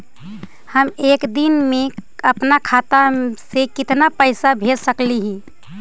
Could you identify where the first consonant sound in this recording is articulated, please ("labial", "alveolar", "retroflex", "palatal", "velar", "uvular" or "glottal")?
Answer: glottal